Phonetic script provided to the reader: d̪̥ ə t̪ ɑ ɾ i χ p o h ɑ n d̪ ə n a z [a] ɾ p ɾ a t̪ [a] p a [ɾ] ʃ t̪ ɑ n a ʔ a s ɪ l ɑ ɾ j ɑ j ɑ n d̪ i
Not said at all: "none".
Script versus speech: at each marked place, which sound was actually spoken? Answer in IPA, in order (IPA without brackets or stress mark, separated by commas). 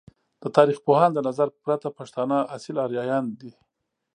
a, a, none